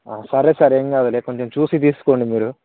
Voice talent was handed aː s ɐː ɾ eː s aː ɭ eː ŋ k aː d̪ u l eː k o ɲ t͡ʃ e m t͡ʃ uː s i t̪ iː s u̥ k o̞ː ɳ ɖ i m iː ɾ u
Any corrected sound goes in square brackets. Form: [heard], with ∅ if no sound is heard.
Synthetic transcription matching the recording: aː s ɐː ɾ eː s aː [ɾ] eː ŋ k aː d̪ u l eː k o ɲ t͡ʃ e m t͡ʃ uː s i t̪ iː s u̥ k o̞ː ɳ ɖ i m iː ɾ u

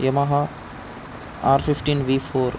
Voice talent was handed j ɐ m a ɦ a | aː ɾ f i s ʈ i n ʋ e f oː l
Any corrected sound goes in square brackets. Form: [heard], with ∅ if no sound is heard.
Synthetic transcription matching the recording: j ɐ m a ɦ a | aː ɾ f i [f] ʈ i n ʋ [i] f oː [ɾ]

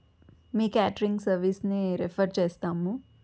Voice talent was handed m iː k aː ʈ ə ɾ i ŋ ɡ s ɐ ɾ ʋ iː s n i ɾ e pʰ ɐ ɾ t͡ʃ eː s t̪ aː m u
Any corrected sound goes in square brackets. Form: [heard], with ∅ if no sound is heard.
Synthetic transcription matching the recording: m iː k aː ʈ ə ɾ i ŋ ɡ s ɐ ɾ ʋ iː s n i ɾ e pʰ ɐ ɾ t͡ʃ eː s t̪ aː m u

